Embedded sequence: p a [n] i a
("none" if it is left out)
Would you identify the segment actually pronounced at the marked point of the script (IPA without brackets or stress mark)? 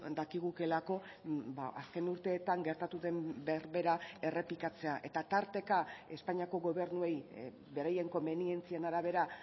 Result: ɲ